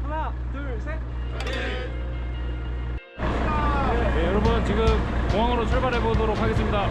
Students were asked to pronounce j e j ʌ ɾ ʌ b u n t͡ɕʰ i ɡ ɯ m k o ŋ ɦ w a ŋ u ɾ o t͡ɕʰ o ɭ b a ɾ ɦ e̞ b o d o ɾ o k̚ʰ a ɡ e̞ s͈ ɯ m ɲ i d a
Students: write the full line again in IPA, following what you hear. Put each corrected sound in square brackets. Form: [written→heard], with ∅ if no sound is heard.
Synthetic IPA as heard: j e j ʌ ɾ ʌ b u n [t͡ɕʰ→t͡ɕ] i ɡ ɯ m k o ŋ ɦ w a ŋ [u→ɯ] ɾ o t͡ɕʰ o ɭ b a ɾ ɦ e̞ b o d o ɾ o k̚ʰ a ɡ e̞ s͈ ɯ m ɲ i d a

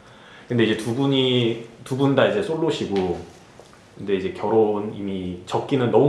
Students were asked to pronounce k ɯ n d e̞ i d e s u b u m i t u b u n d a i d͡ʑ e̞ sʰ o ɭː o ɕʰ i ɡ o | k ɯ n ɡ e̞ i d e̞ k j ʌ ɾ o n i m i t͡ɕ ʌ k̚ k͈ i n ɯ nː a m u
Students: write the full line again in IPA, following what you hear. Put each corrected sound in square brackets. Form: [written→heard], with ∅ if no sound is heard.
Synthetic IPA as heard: k ɯ n d e̞ i [d→d͡ʑ] e [s→t] u b u [m→ɲ] i t u b u n d a i d͡ʑ e̞ sʰ o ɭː o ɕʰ i ɡ o | k ɯ n [ɡ→d] e̞ i [d→d͡ʑ] e̞ k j ʌ ɾ o n i m i t͡ɕ ʌ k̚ k͈ i n ɯ nː [a→ʌ] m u

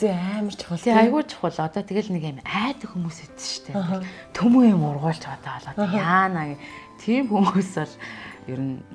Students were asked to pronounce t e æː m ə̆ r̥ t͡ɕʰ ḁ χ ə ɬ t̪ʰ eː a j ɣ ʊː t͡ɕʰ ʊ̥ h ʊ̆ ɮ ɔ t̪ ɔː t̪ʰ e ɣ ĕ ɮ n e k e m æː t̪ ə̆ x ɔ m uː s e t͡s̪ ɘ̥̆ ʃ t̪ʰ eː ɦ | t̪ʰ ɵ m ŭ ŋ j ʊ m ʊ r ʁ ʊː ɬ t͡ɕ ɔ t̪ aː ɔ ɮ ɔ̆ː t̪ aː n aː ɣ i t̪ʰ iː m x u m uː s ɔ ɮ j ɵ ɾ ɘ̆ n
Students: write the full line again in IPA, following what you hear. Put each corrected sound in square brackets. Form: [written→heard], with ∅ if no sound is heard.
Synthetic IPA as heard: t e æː m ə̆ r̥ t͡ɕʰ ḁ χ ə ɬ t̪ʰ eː a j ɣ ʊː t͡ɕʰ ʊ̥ [h→χ] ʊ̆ ɮ ɔ t̪ ɔː t̪ʰ e ɣ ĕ ɮ n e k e m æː t̪ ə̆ x [ɔ→u] m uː s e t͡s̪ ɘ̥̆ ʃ t̪ʰ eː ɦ | t̪ʰ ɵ m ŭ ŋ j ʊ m ʊ r ʁ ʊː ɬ t͡ɕ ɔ t̪ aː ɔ ɮ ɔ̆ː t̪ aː n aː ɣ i t̪ʰ iː m x u m uː s ɔ ɮ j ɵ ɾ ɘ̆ n

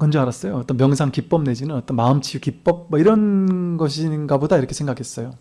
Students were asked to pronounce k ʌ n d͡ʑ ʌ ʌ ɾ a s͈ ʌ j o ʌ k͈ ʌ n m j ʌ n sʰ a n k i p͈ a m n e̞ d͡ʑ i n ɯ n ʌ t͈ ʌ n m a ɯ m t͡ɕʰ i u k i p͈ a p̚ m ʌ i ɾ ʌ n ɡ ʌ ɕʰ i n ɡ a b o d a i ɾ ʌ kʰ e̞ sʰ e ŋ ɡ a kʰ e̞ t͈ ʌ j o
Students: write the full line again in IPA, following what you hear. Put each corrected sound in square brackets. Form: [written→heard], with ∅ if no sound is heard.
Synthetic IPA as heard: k ʌ n d͡ʑ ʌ [ʌ→a] ɾ a s͈ ʌ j o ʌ [k͈→t͈] ʌ n m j ʌ [n→ŋ] sʰ a [n→ŋ] k i p͈ [a→ʌ] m n e̞ d͡ʑ i n ɯ n ʌ t͈ ʌ n m a ɯ m t͡ɕʰ i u k i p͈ [a→ʌ] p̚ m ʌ i ɾ ʌ n ɡ ʌ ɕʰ i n ɡ a b o d a i ɾ ʌ kʰ e̞ sʰ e ŋ ɡ a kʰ e̞ [t͈→s͈] ʌ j o

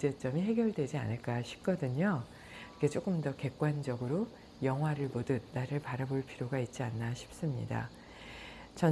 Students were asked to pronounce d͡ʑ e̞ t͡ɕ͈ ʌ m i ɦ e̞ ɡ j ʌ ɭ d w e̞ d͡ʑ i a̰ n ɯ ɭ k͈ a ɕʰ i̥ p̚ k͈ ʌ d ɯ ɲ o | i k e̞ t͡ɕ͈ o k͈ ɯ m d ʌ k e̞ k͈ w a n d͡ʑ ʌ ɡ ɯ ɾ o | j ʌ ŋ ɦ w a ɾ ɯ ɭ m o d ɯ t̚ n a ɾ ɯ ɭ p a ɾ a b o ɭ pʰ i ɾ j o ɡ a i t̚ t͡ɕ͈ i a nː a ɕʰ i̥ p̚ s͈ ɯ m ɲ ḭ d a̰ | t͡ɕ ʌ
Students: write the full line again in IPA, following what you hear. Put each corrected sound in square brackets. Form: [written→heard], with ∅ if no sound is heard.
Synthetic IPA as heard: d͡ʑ e̞ t͡ɕ͈ ʌ m i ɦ e̞ ɡ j ʌ ɭ d w e̞ d͡ʑ i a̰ n ɯ ɭ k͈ a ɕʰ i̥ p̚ k͈ ʌ d ɯ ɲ o | i k e̞ t͡ɕ͈ o k͈ ɯ m d ʌ k e̞ k͈ w a n d͡ʑ ʌ ɡ ɯ ɾ o | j ʌ ŋ ɦ w a ɾ ɯ ɭ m o d ɯ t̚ n a ɾ ɯ ɭ p a ɾ a b o ɭ pʰ i ɾ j o ɡ a i t̚ t͡ɕ͈ i a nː a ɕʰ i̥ p̚ s͈ ɯ m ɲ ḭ d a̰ | t͡ɕ ʌ

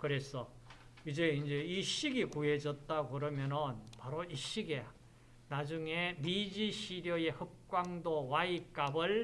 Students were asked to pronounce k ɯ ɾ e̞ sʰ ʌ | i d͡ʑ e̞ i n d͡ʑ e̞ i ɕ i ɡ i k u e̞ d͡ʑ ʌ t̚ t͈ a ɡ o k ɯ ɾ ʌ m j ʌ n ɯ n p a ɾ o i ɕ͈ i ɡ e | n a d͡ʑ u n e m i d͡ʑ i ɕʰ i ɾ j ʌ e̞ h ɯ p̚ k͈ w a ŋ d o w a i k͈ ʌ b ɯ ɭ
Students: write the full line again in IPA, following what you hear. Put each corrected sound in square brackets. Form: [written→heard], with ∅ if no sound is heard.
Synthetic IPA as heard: k ɯ ɾ e̞ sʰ ʌ | i d͡ʑ e̞ i n d͡ʑ e̞ i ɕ i ɡ i k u e̞ d͡ʑ ʌ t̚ t͈ a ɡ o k ɯ ɾ ʌ m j ʌ n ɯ n p a ɾ o i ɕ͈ i ɡ e | n a d͡ʑ u [n→ŋ] e m i d͡ʑ i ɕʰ i ɾ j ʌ e̞ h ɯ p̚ k͈ w a ŋ d o w a i k͈ [ʌ→a] b ɯ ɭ

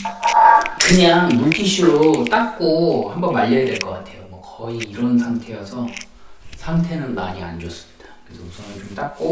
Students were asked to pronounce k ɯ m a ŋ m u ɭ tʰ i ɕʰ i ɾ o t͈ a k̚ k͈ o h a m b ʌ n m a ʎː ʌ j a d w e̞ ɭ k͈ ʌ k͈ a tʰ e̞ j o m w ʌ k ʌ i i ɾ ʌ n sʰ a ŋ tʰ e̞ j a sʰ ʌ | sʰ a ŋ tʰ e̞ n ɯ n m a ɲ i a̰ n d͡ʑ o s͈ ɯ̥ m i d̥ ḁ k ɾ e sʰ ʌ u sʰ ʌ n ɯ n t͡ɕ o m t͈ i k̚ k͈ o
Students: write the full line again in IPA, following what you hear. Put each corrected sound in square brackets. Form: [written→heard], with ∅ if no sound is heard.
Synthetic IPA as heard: k ɯ [m→ɲ] a ŋ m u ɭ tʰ i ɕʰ i ɾ o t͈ a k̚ k͈ o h a m b ʌ n m a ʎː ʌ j a d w e̞ ɭ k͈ ʌ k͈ a tʰ e̞ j o m w ʌ k ʌ i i ɾ ʌ n sʰ a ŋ tʰ e̞ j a sʰ ʌ | sʰ a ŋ tʰ e̞ n ɯ n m a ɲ i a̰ n d͡ʑ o s͈ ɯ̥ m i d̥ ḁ k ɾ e sʰ ʌ u sʰ ʌ n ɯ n t͡ɕ o m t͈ [i→a] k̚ k͈ o

